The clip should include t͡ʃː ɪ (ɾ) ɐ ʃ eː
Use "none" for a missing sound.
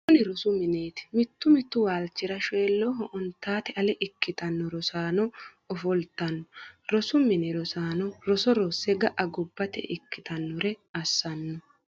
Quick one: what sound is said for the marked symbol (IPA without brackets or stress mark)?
ɾ